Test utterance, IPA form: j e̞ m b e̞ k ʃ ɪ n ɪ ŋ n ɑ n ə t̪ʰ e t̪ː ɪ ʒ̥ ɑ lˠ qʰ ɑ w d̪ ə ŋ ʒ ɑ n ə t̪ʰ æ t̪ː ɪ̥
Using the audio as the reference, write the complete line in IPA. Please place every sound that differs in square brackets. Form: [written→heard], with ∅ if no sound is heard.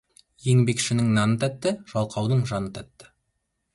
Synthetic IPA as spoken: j e̞ [m→ŋ] b e̞ k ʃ ɪ n ɪ ŋ n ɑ n ə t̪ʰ [e→æ] t̪ː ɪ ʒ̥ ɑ lˠ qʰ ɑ w d̪ ə [ŋ→ɴ] ʒ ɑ n ə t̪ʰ æ t̪ː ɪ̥

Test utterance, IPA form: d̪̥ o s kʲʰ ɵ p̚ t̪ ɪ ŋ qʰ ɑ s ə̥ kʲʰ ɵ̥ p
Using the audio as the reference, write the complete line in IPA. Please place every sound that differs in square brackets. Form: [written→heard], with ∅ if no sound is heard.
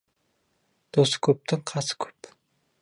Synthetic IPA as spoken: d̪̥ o s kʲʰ ɵ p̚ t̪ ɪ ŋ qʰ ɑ s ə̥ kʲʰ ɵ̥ p

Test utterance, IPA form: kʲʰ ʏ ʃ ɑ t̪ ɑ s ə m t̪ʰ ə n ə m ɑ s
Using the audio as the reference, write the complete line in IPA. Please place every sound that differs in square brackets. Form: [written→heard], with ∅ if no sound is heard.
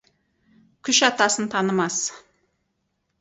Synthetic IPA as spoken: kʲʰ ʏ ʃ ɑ t̪ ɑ s ə [m→n] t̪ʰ [ə→ɑ] n ə m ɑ s

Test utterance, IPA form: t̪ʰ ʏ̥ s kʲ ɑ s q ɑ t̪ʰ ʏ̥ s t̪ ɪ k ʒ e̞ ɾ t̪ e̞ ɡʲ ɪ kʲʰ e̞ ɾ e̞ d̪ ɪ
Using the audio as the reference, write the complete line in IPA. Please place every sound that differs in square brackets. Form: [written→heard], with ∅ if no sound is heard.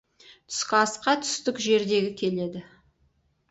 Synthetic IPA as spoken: t̪ʰ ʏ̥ s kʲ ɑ s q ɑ t̪ʰ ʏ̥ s t̪ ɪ k ʒ e̞ ɾ [t̪→d̪] e̞ ɡʲ ɪ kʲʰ e̞ [ɾ→l] e̞ d̪ ɪ

